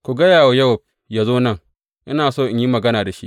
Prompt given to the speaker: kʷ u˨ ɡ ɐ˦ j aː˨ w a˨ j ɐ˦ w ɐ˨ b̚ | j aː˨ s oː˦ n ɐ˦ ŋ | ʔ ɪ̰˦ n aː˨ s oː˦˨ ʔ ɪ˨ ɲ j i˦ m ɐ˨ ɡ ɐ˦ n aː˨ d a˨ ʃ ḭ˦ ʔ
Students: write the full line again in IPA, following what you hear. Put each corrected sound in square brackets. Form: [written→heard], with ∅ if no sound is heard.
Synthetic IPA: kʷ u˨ ɡ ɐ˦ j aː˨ w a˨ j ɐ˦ w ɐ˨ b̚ | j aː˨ [s→z] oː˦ n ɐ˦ ŋ | ʔ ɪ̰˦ n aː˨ s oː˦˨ ʔ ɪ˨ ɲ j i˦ m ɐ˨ ɡ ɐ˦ n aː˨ d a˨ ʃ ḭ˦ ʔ